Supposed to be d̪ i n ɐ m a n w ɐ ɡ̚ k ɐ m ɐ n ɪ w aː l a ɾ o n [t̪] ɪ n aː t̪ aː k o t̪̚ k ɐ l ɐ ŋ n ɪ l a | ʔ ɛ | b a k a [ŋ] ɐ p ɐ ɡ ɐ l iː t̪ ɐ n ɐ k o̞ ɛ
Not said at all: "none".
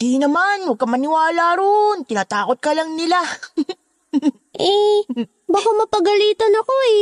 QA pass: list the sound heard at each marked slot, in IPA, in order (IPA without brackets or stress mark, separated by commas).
t̪, m